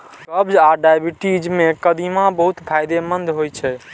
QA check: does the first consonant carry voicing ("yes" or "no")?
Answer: no